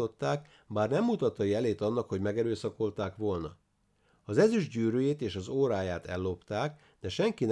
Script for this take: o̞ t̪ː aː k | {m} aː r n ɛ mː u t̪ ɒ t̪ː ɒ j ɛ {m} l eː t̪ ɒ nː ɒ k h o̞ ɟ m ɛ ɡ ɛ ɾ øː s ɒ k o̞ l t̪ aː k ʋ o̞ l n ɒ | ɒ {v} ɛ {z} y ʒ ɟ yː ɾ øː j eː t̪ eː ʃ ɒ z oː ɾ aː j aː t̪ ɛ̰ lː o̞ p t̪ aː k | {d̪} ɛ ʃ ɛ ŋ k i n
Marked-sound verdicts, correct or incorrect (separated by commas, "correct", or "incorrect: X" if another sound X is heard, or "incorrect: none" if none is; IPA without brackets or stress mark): incorrect: b, incorrect: none, incorrect: z, correct, correct